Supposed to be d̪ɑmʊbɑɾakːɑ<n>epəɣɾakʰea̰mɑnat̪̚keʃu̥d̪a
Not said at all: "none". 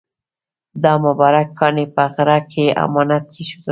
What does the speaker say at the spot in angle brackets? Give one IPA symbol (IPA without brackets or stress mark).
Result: n